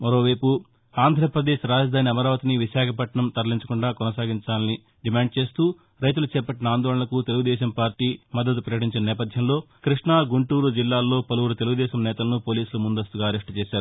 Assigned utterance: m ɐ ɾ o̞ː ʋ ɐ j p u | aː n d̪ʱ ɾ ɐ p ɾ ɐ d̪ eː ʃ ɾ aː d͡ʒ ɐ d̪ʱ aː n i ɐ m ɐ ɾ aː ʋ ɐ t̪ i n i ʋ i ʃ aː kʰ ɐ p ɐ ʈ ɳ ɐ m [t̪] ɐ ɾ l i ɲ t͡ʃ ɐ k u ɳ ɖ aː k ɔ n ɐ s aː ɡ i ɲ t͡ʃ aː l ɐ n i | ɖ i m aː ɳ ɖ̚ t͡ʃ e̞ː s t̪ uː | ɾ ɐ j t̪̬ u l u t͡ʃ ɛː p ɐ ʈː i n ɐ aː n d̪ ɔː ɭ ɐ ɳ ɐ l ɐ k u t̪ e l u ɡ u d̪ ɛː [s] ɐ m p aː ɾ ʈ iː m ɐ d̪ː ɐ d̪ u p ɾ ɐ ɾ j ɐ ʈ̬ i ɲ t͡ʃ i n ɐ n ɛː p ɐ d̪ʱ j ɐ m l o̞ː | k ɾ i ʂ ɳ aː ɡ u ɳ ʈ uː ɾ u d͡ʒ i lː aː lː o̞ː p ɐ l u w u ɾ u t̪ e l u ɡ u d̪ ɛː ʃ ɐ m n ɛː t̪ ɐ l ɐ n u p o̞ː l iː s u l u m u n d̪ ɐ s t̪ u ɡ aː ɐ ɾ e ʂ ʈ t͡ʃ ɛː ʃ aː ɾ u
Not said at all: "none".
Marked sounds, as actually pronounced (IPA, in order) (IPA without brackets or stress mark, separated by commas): t̪, ʃ